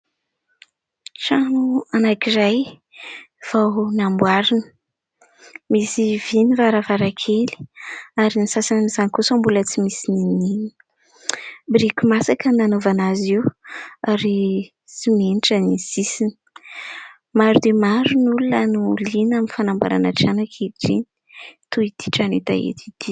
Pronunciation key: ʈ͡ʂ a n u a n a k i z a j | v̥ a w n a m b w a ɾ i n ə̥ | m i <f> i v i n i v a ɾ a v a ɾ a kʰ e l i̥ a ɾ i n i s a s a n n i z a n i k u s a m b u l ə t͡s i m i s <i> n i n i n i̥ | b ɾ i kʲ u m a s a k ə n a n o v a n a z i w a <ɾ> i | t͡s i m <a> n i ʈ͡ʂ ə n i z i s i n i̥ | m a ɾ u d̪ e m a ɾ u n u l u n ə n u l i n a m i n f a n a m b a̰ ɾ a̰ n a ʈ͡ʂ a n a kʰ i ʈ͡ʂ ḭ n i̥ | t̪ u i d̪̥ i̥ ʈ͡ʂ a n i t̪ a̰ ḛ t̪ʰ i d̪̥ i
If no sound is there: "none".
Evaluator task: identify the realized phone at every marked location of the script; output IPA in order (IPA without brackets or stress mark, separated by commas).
s, i, ɾ, e